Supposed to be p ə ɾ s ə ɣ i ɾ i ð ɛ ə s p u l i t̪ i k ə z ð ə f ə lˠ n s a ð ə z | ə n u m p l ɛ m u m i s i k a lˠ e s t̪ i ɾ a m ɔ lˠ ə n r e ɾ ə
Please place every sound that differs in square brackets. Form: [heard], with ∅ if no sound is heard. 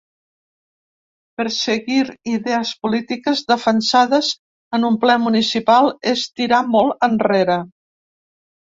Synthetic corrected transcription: p ə ɾ s ə ɣ i ɾ i ð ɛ ə s p u l i t̪ i k ə z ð ə f ə [∅] n s a ð ə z | ə n u m p l ɛ m u [n] i s i [p] a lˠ e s t̪ i ɾ a m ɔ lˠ ə n r e ɾ ə